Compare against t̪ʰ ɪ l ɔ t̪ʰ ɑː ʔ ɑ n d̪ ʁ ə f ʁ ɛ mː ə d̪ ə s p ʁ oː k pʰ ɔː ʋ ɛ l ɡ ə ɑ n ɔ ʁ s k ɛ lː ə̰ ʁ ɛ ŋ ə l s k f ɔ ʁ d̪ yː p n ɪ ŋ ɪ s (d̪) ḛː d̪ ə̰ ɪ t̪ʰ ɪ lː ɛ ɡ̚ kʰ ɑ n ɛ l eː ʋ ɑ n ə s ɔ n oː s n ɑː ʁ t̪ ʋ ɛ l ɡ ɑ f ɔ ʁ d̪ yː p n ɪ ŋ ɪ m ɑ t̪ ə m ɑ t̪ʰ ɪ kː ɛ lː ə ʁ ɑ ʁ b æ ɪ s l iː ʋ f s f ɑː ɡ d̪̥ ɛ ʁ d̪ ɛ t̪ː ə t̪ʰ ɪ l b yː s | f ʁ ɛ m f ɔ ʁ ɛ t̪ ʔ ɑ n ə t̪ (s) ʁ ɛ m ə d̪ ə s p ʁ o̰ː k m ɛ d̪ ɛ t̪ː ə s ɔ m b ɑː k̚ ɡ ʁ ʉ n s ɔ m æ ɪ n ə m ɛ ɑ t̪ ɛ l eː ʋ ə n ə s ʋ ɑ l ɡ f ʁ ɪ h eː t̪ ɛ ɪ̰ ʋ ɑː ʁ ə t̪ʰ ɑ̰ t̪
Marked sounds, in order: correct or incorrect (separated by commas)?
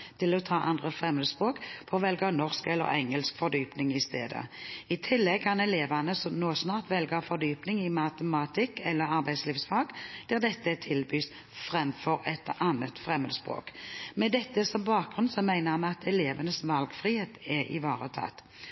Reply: incorrect, incorrect